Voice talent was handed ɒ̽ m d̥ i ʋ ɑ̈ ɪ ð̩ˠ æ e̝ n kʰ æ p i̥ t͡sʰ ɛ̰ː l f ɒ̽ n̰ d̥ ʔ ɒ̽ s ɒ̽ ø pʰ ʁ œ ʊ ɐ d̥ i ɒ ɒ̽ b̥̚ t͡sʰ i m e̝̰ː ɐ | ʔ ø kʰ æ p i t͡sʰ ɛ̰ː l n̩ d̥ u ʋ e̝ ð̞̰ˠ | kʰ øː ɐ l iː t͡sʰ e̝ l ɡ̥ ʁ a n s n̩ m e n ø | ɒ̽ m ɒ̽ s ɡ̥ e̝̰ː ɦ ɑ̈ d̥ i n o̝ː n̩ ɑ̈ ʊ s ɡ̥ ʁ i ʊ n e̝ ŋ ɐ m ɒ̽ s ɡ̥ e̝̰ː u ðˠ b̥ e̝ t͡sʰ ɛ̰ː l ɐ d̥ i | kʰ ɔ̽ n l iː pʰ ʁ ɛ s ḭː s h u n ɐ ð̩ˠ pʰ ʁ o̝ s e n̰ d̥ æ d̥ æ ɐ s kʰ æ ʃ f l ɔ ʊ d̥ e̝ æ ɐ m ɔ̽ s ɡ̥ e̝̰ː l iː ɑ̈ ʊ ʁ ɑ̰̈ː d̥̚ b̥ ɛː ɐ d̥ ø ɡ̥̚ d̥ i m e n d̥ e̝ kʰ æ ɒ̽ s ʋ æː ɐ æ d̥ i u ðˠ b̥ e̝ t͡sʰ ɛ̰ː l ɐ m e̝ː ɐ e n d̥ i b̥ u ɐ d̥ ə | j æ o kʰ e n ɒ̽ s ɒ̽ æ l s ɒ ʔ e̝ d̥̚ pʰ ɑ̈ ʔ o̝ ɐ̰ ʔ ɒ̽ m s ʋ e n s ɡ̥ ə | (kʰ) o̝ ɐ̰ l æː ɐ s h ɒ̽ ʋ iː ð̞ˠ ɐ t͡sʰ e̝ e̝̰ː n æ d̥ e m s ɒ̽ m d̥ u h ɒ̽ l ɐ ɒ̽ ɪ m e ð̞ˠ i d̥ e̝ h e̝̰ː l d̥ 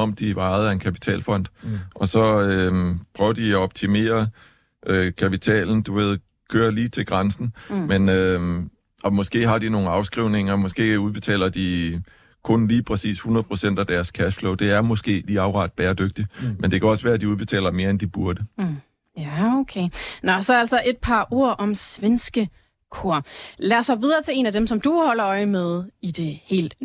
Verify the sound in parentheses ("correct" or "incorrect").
correct